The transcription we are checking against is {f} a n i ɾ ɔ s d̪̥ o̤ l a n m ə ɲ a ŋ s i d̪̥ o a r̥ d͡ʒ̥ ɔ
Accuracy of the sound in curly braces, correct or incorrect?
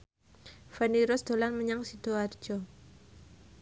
correct